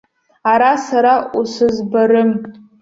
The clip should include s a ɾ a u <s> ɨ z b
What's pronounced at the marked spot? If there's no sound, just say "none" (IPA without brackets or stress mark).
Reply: s